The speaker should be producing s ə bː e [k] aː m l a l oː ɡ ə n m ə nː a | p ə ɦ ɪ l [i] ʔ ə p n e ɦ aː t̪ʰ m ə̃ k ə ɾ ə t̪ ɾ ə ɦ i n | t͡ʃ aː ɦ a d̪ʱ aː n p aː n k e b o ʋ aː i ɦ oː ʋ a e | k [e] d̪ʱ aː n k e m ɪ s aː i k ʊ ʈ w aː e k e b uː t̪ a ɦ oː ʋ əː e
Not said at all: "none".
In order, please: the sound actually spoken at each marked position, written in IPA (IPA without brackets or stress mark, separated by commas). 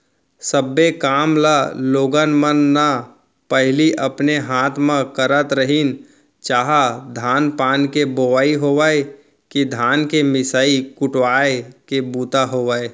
k, i, i